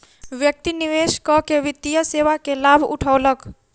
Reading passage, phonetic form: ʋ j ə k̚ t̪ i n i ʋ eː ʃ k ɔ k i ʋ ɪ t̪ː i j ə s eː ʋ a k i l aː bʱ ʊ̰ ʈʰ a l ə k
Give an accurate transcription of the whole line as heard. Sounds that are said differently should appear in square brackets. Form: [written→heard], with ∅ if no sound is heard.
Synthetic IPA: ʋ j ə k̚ t̪ i n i ʋ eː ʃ k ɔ k [i→e] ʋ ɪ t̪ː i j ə s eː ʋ a k [i→e] l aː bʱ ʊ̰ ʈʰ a l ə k